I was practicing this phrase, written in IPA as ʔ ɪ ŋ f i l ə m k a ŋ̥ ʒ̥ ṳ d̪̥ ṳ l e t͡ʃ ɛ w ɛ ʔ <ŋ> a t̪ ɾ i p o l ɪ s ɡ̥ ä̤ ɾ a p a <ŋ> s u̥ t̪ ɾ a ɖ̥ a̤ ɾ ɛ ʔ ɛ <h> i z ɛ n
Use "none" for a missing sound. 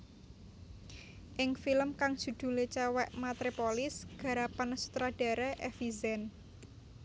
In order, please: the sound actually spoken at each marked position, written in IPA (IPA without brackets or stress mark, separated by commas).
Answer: m, n, f